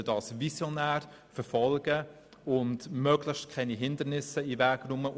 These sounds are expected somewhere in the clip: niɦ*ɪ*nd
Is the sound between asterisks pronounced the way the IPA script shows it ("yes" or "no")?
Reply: yes